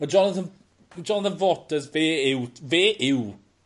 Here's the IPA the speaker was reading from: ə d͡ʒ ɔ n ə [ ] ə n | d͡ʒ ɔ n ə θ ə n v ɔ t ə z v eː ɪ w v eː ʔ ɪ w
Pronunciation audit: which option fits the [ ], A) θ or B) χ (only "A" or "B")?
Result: A